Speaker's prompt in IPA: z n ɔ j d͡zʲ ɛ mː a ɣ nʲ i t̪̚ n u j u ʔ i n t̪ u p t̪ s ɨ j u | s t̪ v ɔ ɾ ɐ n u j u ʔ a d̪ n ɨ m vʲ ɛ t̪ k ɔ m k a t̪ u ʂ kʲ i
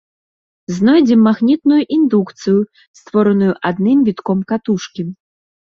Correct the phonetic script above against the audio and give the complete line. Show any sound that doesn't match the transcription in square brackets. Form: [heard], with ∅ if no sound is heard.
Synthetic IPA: z n ɔ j d͡zʲ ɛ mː a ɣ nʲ i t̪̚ n u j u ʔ i n [d̪] u [k] t̪ s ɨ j u | s t̪ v ɔ ɾ ɐ n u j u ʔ a d̪ n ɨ m vʲ [i] t̪ k ɔ m k a t̪ u ʂ kʲ i

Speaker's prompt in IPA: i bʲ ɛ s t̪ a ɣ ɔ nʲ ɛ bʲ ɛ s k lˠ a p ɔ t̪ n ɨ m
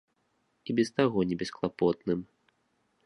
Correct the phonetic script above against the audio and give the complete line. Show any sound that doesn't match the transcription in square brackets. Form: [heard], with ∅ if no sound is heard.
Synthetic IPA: i bʲ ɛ s t̪ a ɣ ɔ nʲ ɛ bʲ ɛ s k lˠ a p ɔ t̪ n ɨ m

